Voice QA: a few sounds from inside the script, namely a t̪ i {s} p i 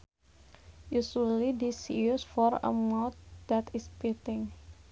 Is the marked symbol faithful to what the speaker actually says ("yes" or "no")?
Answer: yes